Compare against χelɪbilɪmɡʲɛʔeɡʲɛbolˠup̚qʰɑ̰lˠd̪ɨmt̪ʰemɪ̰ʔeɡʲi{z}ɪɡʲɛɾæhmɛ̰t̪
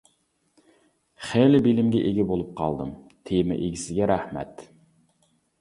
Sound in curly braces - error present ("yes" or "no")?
yes